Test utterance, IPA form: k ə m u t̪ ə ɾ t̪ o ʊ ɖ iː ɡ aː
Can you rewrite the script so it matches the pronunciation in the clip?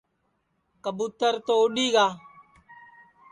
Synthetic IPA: k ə b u t̪ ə ɾ t̪ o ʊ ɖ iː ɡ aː